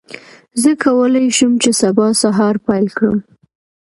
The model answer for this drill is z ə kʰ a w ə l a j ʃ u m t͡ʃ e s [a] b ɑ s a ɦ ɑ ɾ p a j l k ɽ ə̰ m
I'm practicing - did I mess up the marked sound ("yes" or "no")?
no